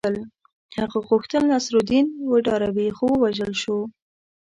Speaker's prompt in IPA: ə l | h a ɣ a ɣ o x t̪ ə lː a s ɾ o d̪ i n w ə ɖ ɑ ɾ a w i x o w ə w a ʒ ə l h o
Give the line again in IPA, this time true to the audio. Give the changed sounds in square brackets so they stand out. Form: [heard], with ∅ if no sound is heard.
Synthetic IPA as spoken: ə l | h a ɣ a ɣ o x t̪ ə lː a s ɾ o d̪ i n w ə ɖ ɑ ɾ a w i x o w ə w a ʒ ə l [ʃ] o